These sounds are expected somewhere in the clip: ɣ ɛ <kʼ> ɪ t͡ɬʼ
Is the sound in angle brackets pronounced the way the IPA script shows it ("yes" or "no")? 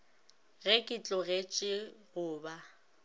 yes